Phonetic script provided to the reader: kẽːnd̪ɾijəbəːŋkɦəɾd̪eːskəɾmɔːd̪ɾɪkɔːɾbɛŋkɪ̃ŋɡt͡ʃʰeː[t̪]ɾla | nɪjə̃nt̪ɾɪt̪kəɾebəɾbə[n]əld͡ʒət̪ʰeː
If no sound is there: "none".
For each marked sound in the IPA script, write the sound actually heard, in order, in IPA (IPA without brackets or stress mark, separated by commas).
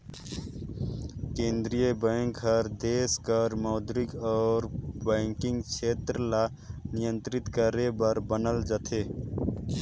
t̪, n